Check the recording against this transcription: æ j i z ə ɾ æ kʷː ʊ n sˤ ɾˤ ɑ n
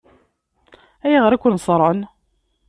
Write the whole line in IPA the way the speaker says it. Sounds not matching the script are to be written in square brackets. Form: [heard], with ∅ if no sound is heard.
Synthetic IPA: æ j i [ʁ] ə ɾ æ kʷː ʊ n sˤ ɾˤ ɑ n